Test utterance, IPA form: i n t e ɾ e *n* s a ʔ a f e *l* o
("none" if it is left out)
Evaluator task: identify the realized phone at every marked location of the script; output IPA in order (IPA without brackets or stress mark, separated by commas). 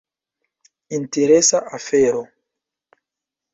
none, ɾ